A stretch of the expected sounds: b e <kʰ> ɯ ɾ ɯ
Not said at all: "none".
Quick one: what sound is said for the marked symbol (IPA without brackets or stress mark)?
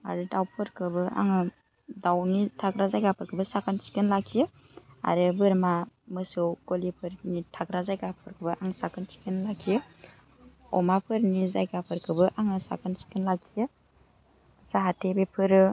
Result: pʰ